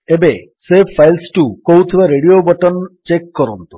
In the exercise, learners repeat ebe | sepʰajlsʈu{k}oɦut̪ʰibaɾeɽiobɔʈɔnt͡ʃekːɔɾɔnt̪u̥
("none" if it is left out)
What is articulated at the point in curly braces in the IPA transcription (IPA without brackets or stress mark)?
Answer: k